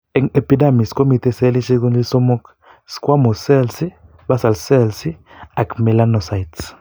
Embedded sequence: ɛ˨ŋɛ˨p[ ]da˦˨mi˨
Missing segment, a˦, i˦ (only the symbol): i˦